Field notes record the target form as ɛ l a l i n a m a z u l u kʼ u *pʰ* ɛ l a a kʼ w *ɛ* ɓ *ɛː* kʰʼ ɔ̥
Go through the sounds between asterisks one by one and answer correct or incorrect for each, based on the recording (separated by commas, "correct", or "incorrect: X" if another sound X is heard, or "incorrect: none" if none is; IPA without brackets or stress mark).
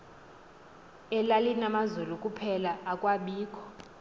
correct, incorrect: a, incorrect: iː